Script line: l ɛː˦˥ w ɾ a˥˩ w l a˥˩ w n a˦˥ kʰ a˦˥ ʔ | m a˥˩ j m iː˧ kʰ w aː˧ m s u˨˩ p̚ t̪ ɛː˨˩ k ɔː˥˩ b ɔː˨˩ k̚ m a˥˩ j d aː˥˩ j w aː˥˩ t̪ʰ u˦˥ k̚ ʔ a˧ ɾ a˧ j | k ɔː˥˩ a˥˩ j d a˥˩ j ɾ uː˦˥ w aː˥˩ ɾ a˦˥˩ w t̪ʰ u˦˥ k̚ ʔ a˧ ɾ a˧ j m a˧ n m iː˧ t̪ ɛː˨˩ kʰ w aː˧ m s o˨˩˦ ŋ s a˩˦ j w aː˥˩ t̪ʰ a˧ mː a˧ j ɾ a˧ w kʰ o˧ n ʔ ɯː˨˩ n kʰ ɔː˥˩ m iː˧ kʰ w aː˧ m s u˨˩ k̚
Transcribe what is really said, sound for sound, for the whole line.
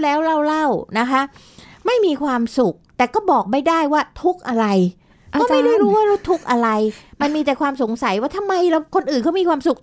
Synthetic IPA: l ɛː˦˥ w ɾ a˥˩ w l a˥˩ w n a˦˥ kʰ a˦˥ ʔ | m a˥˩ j m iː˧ kʰ w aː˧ m s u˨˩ k̚ t̪ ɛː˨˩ k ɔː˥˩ b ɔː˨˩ k̚ m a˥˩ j d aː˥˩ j w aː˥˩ t̪ʰ u˦˥ k̚ ʔ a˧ ɾ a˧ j | k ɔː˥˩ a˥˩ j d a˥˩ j ɾ uː˦˥ w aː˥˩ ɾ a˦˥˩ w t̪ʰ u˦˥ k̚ ʔ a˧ ɾ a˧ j m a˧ n m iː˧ t̪ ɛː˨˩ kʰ w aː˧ m s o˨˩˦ ŋ s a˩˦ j w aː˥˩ t̪ʰ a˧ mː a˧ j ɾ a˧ w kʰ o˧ n ʔ ɯː˨˩ n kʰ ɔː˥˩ m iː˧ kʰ w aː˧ m s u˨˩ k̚